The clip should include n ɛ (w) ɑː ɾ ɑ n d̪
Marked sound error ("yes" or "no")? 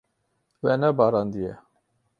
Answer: yes